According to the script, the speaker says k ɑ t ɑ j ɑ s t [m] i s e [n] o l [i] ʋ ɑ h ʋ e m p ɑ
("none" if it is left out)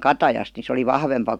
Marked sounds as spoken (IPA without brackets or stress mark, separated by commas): n, none, i